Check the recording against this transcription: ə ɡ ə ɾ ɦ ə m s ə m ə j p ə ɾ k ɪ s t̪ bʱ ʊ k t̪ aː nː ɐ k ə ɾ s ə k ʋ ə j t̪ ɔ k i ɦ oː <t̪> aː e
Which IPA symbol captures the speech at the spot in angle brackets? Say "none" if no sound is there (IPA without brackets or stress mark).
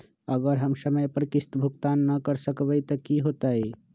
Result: t̪